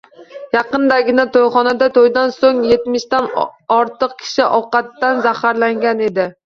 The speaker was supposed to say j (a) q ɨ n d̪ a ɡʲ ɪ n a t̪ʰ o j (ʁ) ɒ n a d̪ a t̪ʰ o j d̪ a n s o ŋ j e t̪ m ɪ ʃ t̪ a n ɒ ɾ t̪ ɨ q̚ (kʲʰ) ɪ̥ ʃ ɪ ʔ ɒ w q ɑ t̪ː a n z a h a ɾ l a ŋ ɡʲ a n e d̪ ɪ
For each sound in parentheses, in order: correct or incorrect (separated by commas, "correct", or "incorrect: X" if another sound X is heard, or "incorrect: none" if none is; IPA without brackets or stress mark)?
incorrect: ɑ, incorrect: χ, correct